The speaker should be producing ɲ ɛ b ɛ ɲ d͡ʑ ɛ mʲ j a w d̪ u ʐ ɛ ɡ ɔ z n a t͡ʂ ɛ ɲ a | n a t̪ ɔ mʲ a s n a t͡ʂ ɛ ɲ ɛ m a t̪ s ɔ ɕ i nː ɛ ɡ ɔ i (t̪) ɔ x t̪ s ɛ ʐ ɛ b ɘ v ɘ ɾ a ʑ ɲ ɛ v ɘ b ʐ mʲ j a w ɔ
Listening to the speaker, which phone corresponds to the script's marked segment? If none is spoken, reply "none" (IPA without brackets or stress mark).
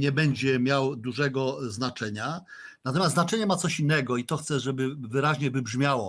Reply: t̪